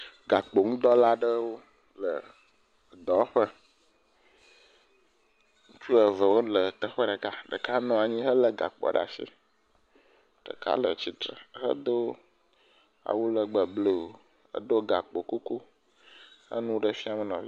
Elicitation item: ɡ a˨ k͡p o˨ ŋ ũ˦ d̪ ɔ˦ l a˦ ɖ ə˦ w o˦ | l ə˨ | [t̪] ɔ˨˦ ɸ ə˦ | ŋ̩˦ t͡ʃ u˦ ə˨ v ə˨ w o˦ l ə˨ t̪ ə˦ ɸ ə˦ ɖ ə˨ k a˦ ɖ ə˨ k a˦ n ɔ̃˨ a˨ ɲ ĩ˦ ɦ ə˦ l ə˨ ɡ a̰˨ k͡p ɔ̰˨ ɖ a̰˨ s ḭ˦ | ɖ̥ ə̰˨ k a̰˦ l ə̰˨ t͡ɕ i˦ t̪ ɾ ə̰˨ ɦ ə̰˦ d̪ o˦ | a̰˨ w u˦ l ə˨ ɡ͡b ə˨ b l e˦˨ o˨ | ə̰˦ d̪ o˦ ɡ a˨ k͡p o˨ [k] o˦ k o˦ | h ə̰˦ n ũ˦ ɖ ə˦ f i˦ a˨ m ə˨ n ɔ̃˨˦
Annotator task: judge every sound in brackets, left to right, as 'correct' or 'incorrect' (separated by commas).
incorrect, correct